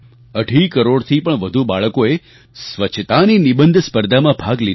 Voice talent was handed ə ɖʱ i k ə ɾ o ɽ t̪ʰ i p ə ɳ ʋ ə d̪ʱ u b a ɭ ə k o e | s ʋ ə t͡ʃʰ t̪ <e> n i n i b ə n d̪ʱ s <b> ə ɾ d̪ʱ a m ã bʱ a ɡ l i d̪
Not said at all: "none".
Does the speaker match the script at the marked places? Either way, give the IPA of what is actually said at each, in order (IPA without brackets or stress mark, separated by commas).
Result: a, p